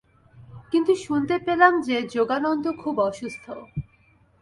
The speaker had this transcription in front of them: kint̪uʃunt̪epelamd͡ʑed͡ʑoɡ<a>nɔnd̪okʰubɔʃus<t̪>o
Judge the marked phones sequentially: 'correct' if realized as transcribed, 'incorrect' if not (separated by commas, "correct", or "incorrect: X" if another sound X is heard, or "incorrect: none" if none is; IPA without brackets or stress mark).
correct, incorrect: t̪ʰ